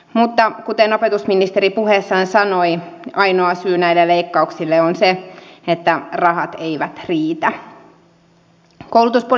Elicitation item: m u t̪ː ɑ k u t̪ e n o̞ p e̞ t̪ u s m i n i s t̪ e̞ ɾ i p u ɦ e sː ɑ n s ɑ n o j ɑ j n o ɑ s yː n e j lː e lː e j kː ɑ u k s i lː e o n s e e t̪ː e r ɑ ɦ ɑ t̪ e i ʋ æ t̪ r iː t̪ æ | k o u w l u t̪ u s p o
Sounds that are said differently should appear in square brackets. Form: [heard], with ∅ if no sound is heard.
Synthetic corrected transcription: m u t̪ː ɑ k u t̪ e n o̞ p e̞ t̪ u s m i n i s t̪ e̞ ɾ i p u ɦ e sː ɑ n s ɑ n o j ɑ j n o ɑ s yː n [æ] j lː e [l] e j kː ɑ u k s i lː e o n s e e t̪ː [æ] r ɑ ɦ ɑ t̪ e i ʋ æ t̪ r iː t̪ æ | k o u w l u t̪ u s p o